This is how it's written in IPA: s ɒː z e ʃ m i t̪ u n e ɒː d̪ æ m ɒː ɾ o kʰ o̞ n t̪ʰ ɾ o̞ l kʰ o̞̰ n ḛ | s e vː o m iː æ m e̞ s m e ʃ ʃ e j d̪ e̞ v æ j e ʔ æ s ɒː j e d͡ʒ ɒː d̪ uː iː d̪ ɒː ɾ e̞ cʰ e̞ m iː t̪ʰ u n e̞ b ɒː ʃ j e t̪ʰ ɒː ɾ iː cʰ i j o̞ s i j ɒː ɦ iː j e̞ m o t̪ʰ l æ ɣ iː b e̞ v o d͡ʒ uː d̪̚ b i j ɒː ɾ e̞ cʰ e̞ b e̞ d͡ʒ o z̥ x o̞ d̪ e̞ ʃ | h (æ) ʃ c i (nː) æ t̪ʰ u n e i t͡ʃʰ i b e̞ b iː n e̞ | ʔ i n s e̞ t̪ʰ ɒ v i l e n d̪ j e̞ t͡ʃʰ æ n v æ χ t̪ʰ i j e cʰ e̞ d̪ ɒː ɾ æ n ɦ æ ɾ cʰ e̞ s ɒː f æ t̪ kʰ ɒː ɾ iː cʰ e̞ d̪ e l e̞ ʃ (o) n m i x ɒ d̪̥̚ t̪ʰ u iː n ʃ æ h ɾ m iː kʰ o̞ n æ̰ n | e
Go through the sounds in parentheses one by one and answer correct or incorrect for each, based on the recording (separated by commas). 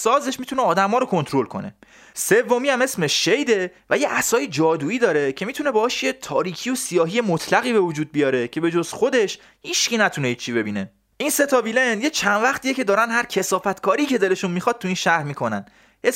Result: incorrect, incorrect, incorrect